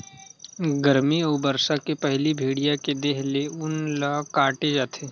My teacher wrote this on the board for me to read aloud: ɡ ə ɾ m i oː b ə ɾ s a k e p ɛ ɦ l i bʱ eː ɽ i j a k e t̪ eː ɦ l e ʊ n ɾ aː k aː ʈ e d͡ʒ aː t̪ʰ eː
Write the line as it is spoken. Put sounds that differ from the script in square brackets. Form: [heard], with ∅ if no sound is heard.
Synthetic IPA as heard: ɡ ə ɾ m i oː b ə ɾ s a k e p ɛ ɦ l i bʱ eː ɽ i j a k e [d̪] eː ɦ l e ʊ n [l] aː k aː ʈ e d͡ʒ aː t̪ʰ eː